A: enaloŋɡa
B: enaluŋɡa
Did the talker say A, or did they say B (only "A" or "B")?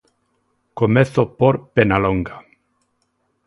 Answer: A